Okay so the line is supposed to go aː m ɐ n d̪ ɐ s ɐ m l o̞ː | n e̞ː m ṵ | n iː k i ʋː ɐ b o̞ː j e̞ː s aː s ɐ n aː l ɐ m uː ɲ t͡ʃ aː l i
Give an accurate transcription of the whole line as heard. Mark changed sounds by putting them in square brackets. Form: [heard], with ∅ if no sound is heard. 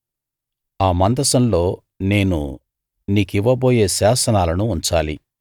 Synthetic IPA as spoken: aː m ɐ n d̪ ɐ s ɐ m l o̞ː | n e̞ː [n] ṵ | n iː k i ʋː ɐ b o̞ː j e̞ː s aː s ɐ n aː l ɐ [n] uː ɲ t͡ʃ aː l i